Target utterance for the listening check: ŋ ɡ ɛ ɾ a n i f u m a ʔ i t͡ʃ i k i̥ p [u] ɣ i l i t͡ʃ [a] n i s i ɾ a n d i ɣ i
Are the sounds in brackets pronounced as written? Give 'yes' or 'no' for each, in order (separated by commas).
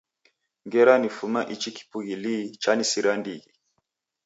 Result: yes, yes